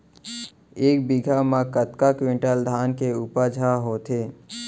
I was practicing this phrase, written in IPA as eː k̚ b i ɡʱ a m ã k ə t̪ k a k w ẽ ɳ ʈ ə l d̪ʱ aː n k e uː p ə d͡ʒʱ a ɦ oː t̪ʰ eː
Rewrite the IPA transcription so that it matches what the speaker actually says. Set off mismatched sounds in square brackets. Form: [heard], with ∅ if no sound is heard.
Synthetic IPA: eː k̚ b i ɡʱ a m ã k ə t̪ k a k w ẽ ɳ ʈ ə l d̪ʱ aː n k e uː p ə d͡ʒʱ a ɦ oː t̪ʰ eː